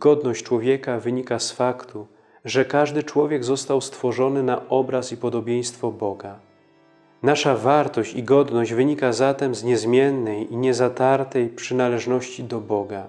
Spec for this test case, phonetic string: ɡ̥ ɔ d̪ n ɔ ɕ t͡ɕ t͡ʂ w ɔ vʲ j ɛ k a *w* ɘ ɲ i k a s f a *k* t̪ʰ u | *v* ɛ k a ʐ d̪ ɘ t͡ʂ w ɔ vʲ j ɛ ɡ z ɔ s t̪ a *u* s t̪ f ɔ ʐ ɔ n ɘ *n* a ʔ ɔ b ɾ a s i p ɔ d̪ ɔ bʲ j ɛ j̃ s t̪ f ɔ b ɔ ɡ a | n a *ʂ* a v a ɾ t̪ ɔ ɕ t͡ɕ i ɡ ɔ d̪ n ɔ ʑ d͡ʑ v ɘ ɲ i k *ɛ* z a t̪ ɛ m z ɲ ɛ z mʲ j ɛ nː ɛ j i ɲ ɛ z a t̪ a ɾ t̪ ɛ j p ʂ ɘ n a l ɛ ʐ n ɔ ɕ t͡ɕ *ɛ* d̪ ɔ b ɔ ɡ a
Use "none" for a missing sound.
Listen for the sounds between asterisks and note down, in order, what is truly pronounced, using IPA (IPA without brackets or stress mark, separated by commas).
v, k, ʐ, w, n, ʂ, a, i